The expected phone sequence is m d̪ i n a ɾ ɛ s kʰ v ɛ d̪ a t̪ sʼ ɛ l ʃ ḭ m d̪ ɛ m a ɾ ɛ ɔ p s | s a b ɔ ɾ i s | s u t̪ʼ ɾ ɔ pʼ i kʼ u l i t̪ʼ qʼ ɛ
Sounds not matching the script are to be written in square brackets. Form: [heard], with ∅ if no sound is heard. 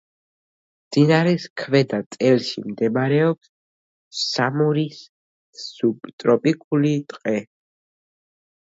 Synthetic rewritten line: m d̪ i n a ɾ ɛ s kʰ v ɛ d̪ a t̪ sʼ ɛ l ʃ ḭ m d̪ ɛ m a ɾ ɛ ɔ p s | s a [m] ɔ ɾ i s | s u t̪ʼ ɾ ɔ pʼ i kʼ u l i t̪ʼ qʼ ɛ